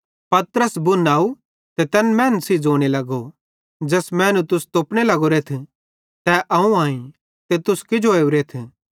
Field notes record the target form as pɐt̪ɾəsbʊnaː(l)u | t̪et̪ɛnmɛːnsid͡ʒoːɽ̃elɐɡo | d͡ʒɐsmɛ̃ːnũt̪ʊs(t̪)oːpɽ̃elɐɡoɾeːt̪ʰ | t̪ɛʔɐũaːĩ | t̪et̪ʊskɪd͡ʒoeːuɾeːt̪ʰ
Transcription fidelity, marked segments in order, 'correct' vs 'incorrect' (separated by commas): incorrect, correct